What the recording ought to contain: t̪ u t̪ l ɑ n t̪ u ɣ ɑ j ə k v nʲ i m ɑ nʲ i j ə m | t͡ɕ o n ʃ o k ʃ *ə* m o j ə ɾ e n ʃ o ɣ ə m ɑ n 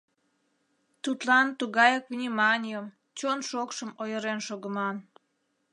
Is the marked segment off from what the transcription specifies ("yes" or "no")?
no